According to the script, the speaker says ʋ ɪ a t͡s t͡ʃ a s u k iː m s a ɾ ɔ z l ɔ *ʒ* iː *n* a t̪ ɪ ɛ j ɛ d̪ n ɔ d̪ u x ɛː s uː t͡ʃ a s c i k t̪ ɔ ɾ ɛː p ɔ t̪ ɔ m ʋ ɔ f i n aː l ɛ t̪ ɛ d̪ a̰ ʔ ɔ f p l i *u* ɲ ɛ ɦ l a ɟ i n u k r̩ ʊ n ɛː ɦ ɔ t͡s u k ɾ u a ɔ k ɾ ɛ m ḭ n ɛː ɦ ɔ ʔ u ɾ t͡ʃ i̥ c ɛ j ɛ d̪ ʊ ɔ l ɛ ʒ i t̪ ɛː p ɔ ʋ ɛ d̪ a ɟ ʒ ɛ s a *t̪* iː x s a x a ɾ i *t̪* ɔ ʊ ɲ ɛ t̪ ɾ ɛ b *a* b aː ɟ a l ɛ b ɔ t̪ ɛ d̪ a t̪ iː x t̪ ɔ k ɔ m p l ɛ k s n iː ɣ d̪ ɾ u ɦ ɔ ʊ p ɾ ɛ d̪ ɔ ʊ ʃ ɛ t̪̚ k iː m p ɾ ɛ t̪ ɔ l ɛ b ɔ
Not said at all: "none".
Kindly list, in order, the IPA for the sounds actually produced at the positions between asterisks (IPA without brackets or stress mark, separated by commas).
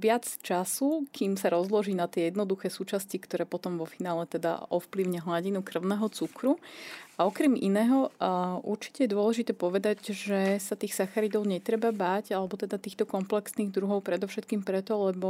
ʒ, n, ʊ, t̪, d̪, a